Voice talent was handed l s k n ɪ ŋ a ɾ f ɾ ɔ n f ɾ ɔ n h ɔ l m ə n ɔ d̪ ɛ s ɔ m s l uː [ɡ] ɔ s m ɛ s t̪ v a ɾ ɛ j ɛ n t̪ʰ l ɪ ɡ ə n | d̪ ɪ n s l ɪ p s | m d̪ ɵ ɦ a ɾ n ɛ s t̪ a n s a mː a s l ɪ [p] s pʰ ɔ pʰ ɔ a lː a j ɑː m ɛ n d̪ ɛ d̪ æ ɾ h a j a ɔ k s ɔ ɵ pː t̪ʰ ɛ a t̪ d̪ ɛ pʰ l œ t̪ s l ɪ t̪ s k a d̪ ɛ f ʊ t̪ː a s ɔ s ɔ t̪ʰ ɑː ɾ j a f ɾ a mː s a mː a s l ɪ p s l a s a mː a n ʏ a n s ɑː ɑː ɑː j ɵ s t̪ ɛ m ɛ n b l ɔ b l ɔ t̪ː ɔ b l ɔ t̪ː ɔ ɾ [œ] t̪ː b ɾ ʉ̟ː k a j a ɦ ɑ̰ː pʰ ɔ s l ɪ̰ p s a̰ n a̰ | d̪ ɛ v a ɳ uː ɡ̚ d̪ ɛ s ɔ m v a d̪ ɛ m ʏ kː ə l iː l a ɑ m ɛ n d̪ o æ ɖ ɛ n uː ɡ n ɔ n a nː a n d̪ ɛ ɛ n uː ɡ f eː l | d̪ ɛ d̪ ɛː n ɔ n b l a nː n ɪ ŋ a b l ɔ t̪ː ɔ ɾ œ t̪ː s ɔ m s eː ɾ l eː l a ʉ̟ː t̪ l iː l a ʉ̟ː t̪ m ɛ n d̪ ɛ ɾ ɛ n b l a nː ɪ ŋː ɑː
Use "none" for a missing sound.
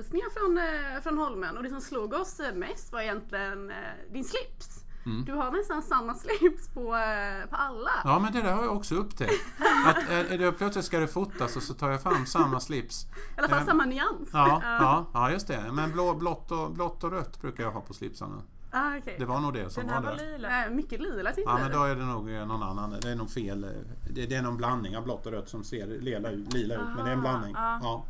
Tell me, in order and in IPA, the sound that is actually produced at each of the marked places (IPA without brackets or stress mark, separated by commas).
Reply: ɡ, p, œ